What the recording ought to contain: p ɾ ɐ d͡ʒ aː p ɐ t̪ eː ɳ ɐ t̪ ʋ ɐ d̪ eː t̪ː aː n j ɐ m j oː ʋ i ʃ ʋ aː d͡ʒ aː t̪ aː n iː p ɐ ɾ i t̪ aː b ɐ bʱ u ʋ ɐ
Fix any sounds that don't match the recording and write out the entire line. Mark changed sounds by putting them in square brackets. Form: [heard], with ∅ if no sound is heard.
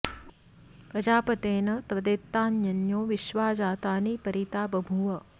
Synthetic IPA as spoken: p ɾ ɐ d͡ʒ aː p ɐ t̪ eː [n] ɐ t̪ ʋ ɐ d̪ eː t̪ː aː n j ɐ [n] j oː ʋ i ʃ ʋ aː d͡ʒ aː t̪ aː n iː p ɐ ɾ i t̪ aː b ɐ bʱ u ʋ ɐ